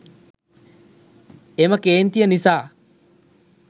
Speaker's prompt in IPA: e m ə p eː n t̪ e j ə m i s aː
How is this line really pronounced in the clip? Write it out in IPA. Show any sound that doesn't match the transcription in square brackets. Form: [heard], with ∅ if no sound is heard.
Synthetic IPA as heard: e m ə [k] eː n t̪ [i] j ə [n] i s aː

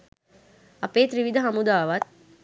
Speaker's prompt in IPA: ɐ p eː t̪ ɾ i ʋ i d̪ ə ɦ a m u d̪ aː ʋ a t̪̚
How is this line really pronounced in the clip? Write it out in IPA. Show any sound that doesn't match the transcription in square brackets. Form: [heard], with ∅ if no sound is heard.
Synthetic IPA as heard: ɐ p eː t̪ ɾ i ʋ i d̪ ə ɦ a m u d̪ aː ʋ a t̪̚

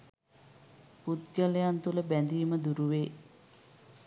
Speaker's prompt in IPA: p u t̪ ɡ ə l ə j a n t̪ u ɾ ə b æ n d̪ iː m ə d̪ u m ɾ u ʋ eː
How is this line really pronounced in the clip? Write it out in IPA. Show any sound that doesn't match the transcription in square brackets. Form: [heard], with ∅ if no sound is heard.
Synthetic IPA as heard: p u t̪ ɡ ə l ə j a n t̪ u [l] ə b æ n d̪ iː m ə d̪ u [∅] ɾ u ʋ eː

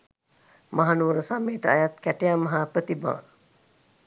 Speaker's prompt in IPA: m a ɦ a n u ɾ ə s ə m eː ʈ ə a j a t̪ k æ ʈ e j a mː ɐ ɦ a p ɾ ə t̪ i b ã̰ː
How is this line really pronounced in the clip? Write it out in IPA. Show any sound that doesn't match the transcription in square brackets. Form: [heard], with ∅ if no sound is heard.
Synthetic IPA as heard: m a ɦ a n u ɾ ə s [a] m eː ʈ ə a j a t̪ k æ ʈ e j a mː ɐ ɦ a p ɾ ə t̪ i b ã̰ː

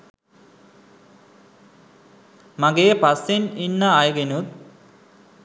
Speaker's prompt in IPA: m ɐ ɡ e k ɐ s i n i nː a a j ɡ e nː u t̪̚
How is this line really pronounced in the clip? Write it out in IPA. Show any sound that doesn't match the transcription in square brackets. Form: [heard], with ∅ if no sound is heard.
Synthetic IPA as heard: m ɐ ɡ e [p] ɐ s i n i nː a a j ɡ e [n] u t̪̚

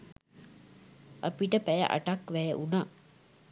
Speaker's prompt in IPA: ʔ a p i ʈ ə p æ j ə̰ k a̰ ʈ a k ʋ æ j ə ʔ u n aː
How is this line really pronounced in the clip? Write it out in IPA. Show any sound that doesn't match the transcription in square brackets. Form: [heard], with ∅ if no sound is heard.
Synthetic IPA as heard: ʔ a p i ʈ ə p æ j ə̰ [ʔ] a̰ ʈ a k ʋ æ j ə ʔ u n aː

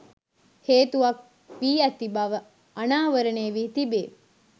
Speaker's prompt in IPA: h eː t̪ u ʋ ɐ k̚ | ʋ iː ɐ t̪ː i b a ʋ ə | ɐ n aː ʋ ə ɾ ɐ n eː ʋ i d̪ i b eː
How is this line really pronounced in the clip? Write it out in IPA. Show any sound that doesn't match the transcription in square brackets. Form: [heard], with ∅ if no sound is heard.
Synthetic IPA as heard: h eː t̪ u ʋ ɐ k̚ | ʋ iː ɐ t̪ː i b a ʋ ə | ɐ n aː ʋ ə ɾ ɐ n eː ʋ i [t̪] i b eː

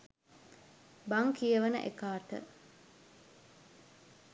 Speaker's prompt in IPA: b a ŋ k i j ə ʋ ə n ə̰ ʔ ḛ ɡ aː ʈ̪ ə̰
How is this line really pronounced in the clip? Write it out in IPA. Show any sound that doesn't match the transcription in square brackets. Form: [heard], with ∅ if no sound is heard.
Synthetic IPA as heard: b a ŋ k i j ə ʋ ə n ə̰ ʔ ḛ [k] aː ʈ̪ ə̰

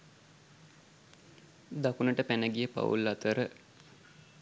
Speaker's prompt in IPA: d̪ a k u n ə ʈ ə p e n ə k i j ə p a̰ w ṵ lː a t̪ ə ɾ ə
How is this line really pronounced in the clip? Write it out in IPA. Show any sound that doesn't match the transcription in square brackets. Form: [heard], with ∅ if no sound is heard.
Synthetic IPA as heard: d̪ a k u n ə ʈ ə p [æ] n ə [ɡ] i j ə p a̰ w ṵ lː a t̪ ə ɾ ə

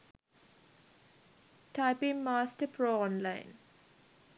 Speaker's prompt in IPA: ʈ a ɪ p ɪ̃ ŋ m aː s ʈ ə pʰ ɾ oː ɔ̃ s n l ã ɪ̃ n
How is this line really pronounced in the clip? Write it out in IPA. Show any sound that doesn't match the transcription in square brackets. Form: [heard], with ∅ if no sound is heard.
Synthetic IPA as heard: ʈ a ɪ p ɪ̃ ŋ m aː s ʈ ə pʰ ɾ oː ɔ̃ [∅] n l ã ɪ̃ n

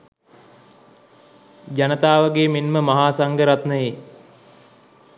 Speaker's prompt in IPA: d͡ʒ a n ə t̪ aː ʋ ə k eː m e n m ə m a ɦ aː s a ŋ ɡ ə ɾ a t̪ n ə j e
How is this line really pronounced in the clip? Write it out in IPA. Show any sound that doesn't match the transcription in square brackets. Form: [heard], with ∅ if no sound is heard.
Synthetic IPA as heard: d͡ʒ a n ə t̪ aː ʋ ə [ɡ] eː m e n m ə m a ɦ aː s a ŋ ɡ ə ɾ a t̪ n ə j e

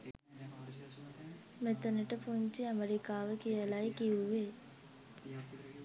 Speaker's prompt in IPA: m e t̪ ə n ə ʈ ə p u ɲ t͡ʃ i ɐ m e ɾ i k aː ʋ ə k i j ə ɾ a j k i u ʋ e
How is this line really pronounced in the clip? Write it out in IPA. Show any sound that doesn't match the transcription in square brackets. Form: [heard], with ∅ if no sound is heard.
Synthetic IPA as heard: m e t̪ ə n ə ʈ ə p u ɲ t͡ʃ i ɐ m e ɾ i k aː ʋ ə k i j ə [l] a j k i u ʋ e

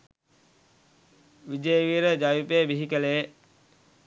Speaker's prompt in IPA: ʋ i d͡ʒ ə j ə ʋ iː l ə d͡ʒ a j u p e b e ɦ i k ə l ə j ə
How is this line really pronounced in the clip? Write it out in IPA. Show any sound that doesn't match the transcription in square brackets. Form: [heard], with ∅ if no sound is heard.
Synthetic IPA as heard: ʋ i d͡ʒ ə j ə ʋ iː [ɾ] ə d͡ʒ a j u p e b [i] ɦ i k ə l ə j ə

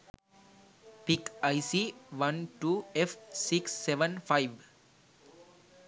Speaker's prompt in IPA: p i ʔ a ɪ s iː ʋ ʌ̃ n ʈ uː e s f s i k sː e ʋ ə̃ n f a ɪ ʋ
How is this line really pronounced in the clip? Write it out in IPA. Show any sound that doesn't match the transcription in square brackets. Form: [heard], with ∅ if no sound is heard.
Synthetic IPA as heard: p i [k] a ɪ s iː ʋ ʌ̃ n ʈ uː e [∅] f s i k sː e ʋ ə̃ n f a ɪ ʋ

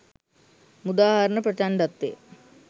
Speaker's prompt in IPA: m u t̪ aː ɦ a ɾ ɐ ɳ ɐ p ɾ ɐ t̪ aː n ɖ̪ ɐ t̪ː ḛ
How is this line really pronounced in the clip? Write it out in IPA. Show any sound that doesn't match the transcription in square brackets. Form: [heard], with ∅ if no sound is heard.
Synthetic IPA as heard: m u [d̪] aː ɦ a ɾ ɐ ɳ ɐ p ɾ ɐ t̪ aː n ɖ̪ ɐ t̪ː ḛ

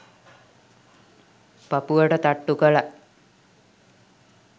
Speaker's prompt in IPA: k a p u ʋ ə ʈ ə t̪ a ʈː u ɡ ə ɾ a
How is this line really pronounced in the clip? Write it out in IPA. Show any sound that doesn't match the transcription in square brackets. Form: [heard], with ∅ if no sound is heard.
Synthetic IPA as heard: [p] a p u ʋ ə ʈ ə t̪ a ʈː u [k] ə [l] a

